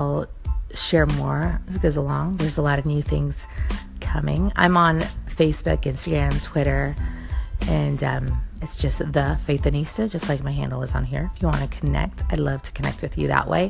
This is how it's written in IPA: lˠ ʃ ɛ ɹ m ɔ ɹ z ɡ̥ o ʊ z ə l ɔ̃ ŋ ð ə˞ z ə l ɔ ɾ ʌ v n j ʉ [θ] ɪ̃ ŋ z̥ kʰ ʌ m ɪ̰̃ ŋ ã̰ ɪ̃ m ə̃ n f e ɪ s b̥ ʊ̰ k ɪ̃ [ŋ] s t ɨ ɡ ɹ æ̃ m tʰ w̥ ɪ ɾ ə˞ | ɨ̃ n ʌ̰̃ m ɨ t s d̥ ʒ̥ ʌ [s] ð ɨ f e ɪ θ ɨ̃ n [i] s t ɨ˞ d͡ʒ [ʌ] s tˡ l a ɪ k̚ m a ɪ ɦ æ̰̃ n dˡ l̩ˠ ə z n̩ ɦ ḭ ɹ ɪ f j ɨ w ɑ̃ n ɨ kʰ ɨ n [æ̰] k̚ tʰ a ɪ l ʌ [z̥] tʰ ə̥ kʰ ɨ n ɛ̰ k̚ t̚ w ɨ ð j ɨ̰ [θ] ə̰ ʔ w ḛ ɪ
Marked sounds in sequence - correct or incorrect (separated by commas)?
correct, incorrect, correct, correct, correct, incorrect, incorrect, incorrect